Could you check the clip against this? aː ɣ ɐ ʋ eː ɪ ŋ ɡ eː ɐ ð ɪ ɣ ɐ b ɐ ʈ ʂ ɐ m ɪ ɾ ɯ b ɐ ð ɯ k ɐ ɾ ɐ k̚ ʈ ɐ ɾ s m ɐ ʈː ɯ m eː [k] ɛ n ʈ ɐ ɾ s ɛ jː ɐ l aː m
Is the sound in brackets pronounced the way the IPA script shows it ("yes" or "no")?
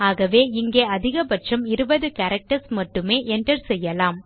no